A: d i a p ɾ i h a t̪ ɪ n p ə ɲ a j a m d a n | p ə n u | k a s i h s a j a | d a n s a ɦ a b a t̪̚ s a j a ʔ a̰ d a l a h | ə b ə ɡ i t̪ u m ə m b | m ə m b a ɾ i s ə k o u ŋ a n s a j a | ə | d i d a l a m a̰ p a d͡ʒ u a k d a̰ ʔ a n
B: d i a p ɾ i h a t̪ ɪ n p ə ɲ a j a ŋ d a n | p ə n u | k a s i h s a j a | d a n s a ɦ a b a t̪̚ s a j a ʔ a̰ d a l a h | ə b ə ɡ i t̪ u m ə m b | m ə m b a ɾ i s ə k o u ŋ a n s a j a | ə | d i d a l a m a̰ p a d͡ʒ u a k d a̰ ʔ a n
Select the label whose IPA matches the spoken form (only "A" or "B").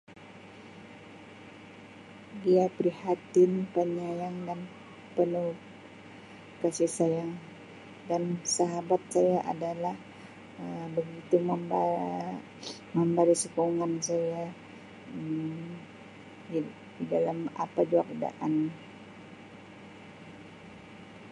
B